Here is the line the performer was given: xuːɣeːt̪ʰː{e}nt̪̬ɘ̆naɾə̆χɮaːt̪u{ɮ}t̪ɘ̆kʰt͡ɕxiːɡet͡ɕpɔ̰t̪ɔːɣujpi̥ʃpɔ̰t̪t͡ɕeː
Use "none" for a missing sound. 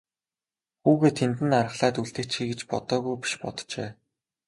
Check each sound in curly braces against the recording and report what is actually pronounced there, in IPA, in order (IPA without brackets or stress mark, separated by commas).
e, ɮ